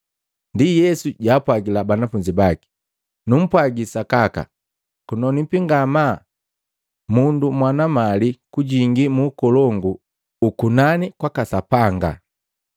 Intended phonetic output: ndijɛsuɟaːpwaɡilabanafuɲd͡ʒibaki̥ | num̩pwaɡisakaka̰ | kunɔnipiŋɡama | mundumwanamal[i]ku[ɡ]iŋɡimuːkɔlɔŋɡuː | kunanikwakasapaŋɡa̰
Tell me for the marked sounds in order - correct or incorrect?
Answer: correct, incorrect

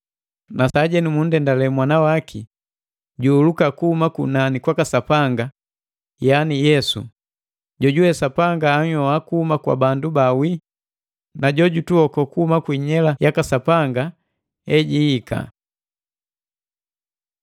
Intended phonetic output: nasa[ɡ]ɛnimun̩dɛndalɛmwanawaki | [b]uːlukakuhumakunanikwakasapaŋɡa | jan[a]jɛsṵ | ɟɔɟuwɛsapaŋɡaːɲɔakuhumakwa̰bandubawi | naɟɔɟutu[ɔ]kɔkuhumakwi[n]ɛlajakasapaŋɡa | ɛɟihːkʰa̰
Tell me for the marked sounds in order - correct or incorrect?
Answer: incorrect, incorrect, incorrect, correct, incorrect

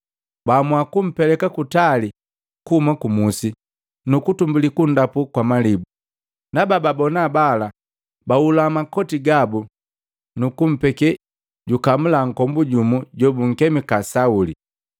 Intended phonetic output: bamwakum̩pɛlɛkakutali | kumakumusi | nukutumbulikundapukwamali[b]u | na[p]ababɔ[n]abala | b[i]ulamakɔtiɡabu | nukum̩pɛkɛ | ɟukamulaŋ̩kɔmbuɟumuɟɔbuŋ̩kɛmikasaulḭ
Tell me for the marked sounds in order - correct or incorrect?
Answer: correct, incorrect, correct, incorrect

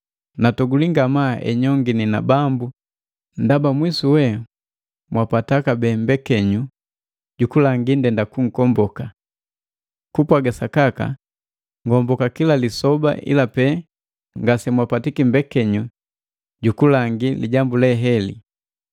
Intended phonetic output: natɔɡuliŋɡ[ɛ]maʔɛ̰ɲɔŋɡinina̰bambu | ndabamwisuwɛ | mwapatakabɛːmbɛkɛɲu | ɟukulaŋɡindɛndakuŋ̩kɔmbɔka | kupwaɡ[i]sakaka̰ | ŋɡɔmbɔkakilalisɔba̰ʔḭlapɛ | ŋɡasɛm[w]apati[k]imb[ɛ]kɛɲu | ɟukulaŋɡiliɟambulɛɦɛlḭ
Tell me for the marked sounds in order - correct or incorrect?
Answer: incorrect, incorrect, correct, correct, correct

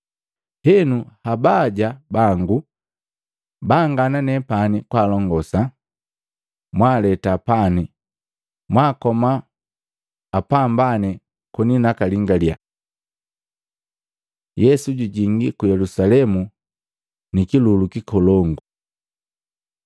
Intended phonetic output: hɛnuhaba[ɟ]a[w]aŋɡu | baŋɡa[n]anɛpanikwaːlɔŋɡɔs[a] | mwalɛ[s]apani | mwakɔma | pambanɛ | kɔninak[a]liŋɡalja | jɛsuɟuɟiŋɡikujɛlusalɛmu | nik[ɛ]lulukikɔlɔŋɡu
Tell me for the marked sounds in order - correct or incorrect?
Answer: correct, incorrect, correct, correct, incorrect, correct, incorrect

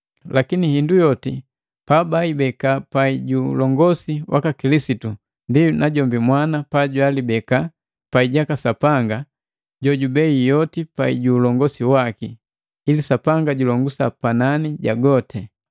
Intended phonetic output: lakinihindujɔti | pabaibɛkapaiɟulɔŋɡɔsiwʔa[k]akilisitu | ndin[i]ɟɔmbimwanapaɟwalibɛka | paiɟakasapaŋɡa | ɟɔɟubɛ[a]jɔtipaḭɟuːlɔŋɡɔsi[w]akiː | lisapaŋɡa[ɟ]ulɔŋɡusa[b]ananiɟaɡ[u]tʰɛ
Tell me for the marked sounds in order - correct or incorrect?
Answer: correct, incorrect, incorrect, correct, correct, incorrect, incorrect

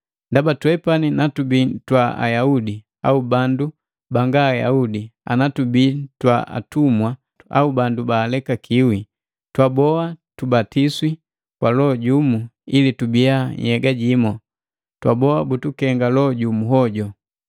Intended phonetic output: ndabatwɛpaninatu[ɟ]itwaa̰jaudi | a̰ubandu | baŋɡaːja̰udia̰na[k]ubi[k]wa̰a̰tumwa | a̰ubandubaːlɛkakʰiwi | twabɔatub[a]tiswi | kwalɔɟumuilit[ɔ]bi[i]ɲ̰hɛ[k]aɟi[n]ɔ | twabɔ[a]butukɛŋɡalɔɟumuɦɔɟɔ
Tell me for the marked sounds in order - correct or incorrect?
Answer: incorrect, incorrect, incorrect, correct, incorrect, incorrect, incorrect, incorrect, correct

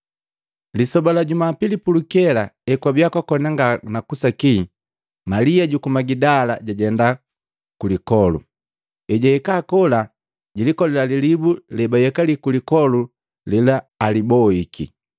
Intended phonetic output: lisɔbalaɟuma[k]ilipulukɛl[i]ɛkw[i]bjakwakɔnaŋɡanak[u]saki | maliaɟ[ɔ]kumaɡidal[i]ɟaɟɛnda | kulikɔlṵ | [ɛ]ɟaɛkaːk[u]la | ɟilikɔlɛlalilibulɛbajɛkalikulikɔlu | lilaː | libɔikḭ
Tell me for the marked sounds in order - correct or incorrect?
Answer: incorrect, incorrect, incorrect, correct, incorrect, incorrect, correct, incorrect

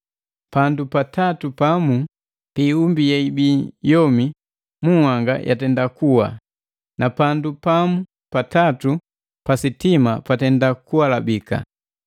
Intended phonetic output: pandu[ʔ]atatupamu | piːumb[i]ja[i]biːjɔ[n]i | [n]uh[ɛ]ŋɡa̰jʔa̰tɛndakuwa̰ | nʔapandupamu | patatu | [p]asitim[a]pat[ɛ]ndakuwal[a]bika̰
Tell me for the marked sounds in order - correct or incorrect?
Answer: incorrect, correct, correct, incorrect, incorrect, incorrect, correct, correct, correct, correct

